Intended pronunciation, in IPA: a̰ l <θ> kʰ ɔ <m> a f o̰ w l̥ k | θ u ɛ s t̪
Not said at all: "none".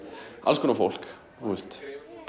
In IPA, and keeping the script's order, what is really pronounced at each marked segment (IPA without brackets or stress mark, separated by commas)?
s, n